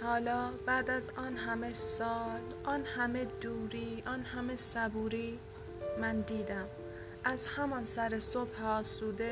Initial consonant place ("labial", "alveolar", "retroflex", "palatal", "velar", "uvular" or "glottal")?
glottal